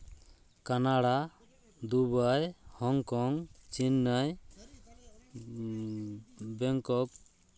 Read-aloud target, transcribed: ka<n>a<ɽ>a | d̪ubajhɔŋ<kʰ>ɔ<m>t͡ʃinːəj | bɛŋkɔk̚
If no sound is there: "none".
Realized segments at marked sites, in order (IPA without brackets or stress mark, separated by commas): n, ɽ, k, ŋ